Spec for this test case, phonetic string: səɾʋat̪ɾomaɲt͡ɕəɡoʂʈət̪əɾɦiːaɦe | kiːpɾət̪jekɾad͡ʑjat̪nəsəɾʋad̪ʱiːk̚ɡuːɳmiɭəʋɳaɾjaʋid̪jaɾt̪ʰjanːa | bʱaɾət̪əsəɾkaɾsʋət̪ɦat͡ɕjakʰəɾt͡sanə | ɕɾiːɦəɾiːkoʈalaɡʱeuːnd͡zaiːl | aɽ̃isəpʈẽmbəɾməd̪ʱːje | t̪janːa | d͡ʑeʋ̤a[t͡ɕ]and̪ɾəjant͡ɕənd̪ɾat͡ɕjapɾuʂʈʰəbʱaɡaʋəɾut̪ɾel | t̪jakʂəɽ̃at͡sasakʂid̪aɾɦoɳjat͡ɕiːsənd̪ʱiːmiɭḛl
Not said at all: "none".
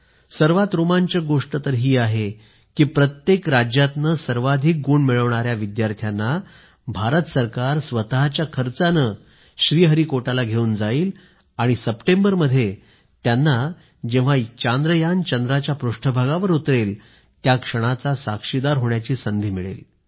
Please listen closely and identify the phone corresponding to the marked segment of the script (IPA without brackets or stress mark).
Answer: t͡ɕ